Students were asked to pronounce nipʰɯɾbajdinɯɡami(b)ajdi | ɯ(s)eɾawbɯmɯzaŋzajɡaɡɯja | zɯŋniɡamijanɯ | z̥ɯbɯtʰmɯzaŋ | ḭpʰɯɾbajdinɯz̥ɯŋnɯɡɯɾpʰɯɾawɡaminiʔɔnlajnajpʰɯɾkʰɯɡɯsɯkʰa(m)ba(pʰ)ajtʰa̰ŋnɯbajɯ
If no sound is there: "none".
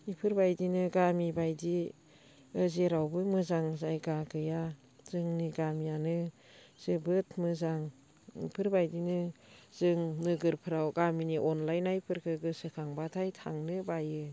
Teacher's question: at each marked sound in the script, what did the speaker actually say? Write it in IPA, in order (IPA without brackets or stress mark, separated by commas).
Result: b, z, ŋ, tʰ